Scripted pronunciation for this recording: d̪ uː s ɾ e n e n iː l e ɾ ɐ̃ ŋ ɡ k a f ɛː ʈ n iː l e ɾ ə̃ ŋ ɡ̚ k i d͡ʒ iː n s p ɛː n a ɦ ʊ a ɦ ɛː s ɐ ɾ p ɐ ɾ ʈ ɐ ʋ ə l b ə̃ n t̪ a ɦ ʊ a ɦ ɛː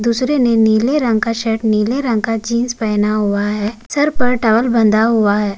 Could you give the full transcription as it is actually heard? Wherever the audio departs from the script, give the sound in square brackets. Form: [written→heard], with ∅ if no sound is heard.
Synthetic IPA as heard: d̪ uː s ɾ e n e n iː l e ɾ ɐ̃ ŋ ɡ k a [f→ʃ] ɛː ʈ n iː l e ɾ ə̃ ŋ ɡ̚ k [i→a] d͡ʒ iː n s p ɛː n a ɦ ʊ a ɦ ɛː s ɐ ɾ p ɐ ɾ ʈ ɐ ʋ ə l b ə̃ n [t̪→d̪] a ɦ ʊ a ɦ ɛː